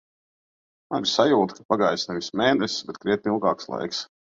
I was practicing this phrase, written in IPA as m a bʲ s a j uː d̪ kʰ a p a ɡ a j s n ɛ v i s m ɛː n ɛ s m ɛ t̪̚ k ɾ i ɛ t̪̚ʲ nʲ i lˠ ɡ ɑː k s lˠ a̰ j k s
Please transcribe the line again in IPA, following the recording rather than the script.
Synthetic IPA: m a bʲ s a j uː t̪ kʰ a p a ɡ a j s n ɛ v i s m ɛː n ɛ s b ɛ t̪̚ k ɾ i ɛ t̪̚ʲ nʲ i lˠ ɡ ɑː k s lˠ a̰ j k s